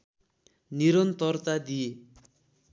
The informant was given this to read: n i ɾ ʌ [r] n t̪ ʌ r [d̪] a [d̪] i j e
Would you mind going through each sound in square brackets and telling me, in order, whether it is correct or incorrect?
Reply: incorrect, incorrect, correct

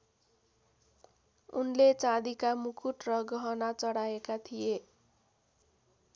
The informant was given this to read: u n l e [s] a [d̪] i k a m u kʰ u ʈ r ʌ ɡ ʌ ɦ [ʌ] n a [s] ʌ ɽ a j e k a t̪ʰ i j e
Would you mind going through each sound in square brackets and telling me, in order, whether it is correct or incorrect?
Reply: incorrect, correct, correct, incorrect

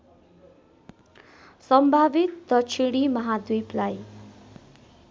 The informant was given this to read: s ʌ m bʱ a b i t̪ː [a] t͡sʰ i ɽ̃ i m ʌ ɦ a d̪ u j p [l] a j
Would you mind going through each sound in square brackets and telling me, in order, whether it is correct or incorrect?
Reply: incorrect, correct

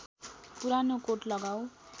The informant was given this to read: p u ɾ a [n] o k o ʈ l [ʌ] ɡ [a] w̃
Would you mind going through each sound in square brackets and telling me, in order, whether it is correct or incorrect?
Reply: correct, correct, correct

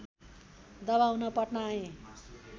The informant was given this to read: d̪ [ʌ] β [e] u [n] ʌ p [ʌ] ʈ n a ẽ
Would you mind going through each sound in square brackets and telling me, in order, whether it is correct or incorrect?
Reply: correct, incorrect, correct, correct

